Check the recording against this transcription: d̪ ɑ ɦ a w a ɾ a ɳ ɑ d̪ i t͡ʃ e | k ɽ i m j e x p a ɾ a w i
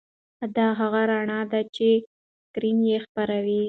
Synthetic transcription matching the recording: d̪ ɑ ɦ a ɣ a ɾ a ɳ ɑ d̪ a t͡ʃ e | k ɾ i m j e x p a ɾ a w i